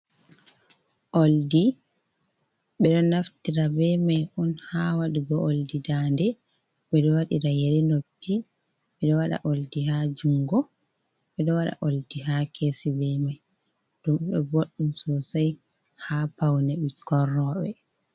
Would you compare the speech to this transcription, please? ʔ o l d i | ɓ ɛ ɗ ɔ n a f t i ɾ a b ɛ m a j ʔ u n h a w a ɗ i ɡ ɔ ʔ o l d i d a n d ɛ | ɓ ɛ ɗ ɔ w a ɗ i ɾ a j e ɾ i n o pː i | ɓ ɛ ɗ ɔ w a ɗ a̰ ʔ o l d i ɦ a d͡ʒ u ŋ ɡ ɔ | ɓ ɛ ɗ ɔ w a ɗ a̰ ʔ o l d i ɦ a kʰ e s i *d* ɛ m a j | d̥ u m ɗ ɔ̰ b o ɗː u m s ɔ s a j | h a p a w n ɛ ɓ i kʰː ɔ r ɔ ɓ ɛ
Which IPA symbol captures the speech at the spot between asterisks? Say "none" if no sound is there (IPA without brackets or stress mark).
b